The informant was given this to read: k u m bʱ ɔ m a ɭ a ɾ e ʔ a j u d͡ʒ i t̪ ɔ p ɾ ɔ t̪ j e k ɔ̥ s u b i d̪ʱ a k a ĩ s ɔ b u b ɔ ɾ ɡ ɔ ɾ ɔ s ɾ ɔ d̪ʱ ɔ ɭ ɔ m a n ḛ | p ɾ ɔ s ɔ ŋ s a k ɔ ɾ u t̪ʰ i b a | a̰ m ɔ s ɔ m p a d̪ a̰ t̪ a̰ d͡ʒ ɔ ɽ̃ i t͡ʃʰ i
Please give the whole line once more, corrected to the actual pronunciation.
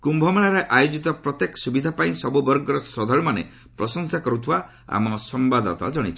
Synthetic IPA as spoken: k u m bʱ ɔ m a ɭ a ɾ e ʔ a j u d͡ʒ i t̪ ɔ p ɾ ɔ t̪ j e k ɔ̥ s u b i d̪ʱ a p a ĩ s ɔ b u b ɔ ɾ ɡ ɔ ɾ ɔ s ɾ ɔ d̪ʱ ɔ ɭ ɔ m a n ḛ | p ɾ ɔ s ɔ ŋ s a k ɔ ɾ u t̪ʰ i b a | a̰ m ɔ s ɔ m b a d̪ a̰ t̪ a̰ d͡ʒ ɔ ɽ̃ i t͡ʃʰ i